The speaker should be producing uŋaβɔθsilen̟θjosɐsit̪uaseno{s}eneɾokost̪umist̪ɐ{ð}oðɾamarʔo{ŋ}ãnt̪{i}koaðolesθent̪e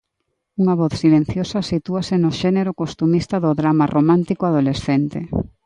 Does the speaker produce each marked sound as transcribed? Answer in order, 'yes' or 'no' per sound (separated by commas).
no, yes, no, yes